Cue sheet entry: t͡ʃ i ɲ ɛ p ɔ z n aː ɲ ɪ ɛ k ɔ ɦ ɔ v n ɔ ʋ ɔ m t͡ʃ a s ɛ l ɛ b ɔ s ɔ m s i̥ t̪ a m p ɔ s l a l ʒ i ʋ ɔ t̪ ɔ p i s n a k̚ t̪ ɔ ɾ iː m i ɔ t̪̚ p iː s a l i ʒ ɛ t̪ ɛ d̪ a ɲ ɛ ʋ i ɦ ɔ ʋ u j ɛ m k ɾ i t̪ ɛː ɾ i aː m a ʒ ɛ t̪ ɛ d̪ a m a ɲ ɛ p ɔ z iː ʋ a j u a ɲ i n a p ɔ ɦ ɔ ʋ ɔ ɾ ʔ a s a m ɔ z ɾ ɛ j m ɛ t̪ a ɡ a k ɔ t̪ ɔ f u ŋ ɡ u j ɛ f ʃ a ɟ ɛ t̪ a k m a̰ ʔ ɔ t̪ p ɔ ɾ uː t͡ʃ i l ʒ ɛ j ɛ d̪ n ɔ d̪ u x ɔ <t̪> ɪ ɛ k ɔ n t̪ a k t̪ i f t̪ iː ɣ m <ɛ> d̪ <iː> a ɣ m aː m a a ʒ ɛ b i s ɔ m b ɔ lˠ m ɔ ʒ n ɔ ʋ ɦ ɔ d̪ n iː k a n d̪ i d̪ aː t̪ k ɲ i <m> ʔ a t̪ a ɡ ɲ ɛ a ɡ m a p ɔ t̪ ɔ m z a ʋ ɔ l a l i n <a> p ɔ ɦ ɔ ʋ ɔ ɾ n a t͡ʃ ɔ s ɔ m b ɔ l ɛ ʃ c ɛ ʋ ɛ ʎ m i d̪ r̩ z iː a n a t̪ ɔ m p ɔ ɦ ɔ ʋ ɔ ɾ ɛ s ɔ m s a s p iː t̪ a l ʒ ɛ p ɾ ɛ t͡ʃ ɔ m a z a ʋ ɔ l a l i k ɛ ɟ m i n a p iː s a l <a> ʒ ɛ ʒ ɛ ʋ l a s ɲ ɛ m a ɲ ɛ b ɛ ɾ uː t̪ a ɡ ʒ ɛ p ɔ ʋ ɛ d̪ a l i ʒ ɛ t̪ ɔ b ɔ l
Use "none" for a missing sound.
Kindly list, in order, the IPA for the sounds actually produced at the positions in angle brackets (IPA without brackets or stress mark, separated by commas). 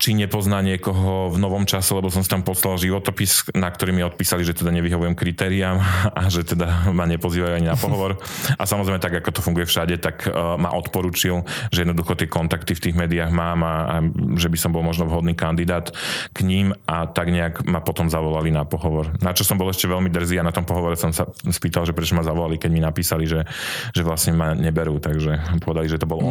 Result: t̪, ɛː, i, m, a, i